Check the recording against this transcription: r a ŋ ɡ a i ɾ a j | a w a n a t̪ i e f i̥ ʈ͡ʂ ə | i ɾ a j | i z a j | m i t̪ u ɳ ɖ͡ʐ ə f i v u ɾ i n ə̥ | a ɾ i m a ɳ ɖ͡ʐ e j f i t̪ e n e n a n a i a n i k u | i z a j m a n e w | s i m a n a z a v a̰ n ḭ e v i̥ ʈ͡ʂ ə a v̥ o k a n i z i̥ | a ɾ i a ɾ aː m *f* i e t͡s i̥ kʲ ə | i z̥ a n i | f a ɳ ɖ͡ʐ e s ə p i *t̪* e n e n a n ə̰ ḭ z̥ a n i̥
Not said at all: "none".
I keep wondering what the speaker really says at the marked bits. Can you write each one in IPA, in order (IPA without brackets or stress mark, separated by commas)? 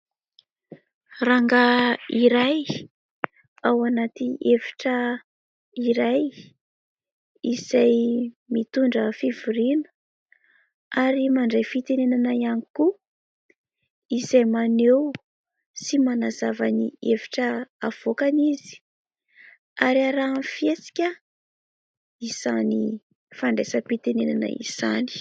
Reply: f, t̪